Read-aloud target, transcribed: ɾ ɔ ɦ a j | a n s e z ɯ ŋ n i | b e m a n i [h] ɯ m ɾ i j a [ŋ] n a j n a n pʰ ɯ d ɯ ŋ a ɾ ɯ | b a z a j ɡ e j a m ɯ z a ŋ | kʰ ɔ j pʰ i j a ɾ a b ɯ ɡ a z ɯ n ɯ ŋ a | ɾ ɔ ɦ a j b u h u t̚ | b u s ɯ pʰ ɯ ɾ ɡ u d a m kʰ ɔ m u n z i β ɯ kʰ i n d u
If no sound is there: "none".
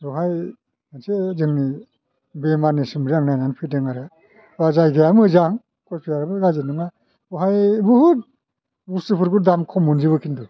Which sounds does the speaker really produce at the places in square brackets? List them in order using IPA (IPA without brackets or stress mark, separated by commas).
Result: s, ŋ